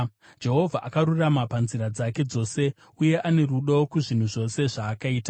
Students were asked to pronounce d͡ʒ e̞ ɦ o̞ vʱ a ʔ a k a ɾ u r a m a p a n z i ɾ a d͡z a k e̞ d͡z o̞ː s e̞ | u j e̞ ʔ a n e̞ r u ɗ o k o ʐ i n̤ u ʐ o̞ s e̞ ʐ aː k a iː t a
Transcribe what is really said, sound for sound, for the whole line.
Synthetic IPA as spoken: d͡ʒ e̞ ɦ o̞ vʱ a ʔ a k a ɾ u r a m a p a n z i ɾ a d͡z a k e̞ d͡z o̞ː s e̞ | u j e̞ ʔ a n e̞ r u ɗ o k u ʐ i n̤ u ʐ o̞ s e̞ ʐ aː k a iː t a